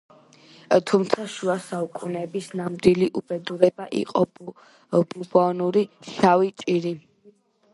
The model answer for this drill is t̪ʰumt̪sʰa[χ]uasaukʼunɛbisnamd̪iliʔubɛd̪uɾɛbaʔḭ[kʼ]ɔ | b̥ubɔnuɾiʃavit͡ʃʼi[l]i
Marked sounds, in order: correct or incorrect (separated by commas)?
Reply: incorrect, incorrect, incorrect